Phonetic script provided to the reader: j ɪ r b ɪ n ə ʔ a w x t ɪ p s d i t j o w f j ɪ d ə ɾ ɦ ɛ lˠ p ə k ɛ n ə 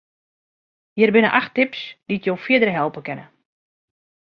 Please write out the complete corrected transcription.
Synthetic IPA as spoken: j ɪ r b ɪ n ə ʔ a x t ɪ p s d i t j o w f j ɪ d ə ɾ ɦ ɛ lˠ p ə k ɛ n ə